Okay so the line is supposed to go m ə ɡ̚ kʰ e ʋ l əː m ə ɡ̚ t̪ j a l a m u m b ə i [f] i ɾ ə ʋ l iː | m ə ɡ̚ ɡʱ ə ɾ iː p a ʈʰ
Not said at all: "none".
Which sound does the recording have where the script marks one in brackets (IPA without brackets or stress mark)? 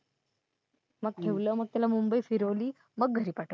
f